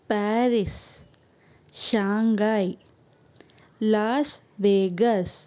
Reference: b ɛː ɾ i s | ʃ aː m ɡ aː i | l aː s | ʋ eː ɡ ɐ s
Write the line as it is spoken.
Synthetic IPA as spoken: p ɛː ɾ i s | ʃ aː ŋ ɡ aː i | l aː s | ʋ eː ɡ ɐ s